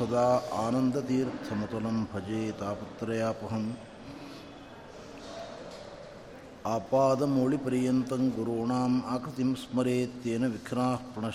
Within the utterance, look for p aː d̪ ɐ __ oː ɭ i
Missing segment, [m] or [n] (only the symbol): m